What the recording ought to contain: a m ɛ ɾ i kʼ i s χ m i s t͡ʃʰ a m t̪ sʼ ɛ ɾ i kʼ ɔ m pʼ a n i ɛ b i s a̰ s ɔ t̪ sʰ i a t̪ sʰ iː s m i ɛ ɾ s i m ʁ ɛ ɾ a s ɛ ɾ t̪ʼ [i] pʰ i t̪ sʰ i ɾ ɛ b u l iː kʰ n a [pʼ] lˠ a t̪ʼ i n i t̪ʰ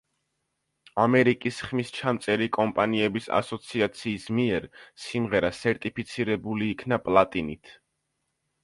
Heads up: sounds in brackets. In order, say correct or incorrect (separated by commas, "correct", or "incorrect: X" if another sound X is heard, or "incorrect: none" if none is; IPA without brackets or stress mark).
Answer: correct, correct